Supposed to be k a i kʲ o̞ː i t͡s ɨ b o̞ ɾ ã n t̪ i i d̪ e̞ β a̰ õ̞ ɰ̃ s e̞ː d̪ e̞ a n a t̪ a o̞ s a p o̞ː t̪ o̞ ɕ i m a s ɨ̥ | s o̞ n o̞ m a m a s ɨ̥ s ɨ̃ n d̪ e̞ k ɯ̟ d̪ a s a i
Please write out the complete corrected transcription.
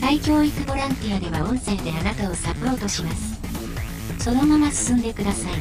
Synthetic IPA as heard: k a i kʲ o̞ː i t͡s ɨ b o̞ ɾ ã n t̪ i a d̪ e̞ β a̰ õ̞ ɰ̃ s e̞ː d̪ e̞ a n a t̪ a o̞ s a p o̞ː t̪ o̞ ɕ i m a s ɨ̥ | s o̞ n o̞ m a m a s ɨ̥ s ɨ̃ n d̪ e̞ k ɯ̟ d̪ a s a i